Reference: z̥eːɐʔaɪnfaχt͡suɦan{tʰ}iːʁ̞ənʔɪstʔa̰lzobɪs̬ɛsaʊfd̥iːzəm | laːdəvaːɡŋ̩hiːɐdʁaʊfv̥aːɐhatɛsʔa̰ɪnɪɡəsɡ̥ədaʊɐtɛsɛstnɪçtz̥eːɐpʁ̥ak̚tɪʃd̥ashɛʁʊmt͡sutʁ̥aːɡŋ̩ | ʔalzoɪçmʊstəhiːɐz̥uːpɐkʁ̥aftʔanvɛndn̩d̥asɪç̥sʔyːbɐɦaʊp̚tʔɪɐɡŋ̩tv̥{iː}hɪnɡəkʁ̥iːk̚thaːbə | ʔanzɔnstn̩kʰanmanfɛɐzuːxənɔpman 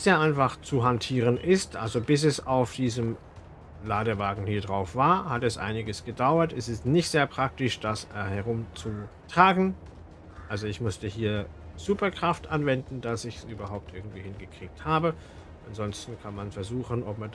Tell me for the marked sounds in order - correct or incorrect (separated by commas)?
correct, correct